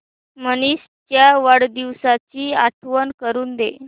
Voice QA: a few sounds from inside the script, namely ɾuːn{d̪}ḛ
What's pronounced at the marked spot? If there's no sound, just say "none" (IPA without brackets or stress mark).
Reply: d̪